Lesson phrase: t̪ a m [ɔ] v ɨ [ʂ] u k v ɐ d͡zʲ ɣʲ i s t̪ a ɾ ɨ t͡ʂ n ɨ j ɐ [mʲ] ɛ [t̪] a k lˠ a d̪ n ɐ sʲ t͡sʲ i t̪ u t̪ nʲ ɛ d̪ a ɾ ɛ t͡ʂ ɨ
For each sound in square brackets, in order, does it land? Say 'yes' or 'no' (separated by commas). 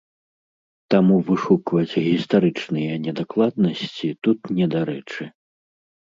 no, yes, no, no